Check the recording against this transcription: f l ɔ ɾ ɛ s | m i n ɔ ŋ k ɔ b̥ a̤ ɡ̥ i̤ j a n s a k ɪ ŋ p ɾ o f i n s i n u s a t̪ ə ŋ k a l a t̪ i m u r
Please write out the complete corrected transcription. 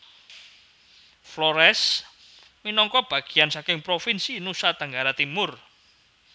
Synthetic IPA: f l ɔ ɾ ɛ s | m i n ɔ ŋ k ɔ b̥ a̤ ɡ̥ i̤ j a n s a k ɪ ŋ p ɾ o f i n s i n u s a t̪ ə ŋ ɡ a ɾ a t̪ i m ʊ r